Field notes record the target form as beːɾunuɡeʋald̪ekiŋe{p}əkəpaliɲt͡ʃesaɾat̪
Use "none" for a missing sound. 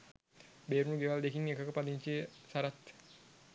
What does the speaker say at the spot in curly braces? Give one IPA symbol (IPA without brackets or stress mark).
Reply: k